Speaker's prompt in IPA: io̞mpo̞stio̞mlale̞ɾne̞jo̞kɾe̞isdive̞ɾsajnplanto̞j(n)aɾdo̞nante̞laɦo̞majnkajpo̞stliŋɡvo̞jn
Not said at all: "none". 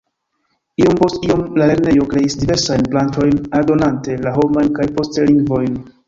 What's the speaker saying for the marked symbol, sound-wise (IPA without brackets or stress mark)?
n